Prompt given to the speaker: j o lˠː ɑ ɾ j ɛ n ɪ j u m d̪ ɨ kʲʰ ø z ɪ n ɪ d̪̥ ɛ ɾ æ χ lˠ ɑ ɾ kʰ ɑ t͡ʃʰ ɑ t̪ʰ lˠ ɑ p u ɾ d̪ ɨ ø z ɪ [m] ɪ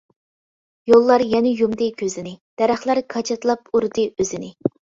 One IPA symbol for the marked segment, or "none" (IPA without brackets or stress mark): n